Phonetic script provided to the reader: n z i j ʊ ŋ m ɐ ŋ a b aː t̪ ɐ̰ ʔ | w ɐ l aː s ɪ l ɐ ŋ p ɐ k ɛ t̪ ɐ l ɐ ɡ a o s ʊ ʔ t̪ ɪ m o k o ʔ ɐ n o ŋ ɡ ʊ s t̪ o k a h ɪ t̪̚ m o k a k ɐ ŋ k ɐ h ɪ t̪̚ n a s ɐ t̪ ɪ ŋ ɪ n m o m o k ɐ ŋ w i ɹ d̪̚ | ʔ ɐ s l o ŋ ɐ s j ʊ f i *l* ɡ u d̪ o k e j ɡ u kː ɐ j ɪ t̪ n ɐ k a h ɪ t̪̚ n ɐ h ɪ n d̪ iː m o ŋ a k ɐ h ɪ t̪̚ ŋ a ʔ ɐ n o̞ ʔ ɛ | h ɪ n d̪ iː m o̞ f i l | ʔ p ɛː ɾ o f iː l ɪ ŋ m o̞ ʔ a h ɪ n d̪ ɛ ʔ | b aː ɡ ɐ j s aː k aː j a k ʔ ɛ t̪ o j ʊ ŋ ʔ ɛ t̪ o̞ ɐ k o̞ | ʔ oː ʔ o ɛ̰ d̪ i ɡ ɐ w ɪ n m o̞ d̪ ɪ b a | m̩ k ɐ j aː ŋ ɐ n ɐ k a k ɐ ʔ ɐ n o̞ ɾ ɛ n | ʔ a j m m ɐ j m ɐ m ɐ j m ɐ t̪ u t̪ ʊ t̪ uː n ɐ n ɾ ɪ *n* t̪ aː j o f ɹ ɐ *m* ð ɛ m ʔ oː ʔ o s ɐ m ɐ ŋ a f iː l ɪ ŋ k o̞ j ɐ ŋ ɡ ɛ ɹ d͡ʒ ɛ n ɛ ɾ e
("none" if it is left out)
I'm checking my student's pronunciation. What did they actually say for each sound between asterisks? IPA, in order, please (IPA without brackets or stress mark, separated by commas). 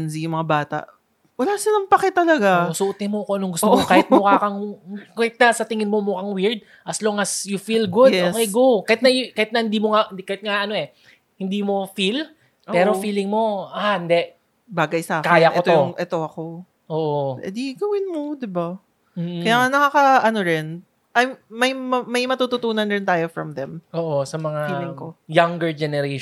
l, n, m